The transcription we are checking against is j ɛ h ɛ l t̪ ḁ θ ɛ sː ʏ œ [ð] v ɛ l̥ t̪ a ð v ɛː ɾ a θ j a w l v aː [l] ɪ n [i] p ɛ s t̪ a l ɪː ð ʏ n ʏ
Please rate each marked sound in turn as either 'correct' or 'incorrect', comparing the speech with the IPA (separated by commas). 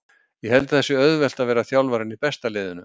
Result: correct, incorrect, correct